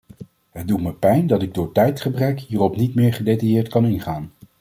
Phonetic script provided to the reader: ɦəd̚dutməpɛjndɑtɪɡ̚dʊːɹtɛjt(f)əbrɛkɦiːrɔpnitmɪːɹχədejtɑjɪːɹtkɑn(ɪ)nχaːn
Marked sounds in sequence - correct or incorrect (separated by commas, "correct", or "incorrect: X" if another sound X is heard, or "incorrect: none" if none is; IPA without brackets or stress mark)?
incorrect: χ, correct